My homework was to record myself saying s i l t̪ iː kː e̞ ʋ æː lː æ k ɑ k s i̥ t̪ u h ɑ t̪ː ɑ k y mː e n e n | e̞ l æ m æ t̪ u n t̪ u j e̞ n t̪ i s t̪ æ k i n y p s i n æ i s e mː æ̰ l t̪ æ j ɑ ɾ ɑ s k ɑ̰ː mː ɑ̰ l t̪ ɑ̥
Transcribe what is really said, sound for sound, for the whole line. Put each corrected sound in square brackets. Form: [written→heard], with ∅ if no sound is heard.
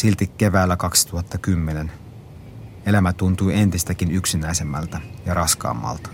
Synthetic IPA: s i l t̪ [iː→i] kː e̞ ʋ æː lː æ k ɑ k s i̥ t̪ u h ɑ t̪ː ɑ k y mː e n e n | e̞ l æ m æ t̪ u n t̪ u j e̞ n t̪ i s t̪ æ k i n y [p→k] s i n æ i s e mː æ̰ l t̪ æ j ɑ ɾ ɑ s k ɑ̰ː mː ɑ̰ l t̪ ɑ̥